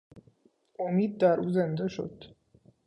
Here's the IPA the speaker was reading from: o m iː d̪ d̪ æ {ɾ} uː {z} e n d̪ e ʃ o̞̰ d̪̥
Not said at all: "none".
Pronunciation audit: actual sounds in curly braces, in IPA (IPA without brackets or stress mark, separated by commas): ɾ, z